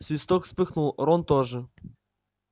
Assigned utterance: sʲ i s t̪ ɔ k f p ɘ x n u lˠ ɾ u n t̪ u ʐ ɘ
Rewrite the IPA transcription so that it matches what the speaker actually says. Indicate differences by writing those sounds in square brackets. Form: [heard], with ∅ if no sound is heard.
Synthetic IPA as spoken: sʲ i s t̪ ɔ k [s] p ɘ x n u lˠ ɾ [ɔ] n t̪ [ɔ] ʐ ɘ